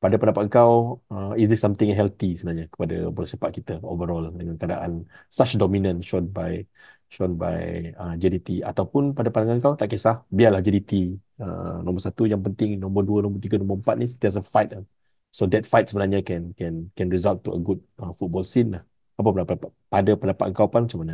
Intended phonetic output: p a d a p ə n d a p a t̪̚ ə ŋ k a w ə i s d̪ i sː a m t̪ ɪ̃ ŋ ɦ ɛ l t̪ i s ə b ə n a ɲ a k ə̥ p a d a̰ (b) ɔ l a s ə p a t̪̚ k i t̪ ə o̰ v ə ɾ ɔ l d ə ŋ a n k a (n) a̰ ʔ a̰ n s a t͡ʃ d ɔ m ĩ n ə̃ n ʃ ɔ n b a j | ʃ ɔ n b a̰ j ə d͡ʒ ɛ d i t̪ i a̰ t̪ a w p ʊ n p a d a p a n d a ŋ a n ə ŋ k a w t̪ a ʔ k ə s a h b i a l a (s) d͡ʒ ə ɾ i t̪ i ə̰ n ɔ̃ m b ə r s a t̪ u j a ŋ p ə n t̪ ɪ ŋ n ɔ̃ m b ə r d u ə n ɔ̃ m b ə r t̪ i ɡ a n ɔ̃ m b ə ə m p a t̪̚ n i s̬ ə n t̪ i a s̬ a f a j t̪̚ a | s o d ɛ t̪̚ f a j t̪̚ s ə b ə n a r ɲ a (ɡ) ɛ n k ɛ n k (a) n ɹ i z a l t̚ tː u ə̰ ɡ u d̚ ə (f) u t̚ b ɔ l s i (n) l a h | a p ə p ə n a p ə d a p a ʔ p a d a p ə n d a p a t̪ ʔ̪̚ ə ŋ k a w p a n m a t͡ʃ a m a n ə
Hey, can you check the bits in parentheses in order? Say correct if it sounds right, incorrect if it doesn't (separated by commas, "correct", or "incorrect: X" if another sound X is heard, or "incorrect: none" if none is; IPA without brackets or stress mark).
correct, incorrect: d, incorrect: h, incorrect: k, incorrect: ɛ, correct, correct